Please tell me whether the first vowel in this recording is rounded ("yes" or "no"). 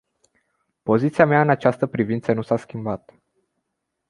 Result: yes